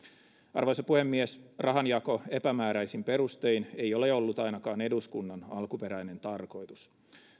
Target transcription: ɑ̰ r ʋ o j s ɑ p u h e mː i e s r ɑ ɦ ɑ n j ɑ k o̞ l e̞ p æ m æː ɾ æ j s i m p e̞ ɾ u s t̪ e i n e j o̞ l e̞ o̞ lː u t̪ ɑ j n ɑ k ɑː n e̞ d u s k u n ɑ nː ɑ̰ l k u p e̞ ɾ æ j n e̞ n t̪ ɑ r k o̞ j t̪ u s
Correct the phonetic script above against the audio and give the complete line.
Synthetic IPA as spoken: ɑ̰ r ʋ o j s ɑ p u h e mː i e s r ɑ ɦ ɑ n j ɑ k o̞ e̞ p æ m æː ɾ æ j s i m p e̞ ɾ u s t̪ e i n e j o̞ l e̞ o̞ lː u t̪ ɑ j n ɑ k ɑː n e̞ d u s k u nː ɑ n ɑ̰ l k u p e̞ ɾ æ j n e̞ n t̪ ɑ r k o̞ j t̪ u s